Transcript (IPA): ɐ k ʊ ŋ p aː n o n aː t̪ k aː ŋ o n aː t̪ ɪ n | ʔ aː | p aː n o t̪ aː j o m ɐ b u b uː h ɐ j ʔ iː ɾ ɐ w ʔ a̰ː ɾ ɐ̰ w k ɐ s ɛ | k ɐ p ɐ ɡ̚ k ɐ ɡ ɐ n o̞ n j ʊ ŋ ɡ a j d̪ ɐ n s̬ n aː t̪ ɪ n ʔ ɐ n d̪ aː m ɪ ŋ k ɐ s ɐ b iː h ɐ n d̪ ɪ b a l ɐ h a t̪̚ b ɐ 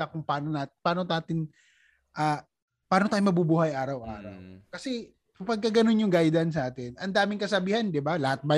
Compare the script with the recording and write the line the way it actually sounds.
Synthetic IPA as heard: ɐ k ʊ ŋ p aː n o n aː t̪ p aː n o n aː t̪ ɪ n | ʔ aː | p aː n o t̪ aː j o m ɐ b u b uː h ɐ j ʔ aː ɾ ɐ w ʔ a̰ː ɾ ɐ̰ w k ɐ s ɛ | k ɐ p ɐ ɡ̚ k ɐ ɡ ɐ n o̞ n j ʊ ŋ ɡ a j d̪ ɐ n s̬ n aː t̪ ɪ n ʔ ɐ n d̪ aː m ɪ ŋ k ɐ s ɐ b iː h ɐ n d̪ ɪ b a l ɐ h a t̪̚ b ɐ